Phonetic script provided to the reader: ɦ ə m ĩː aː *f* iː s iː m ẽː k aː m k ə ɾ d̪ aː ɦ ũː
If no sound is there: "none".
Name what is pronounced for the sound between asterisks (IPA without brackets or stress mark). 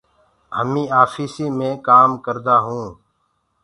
f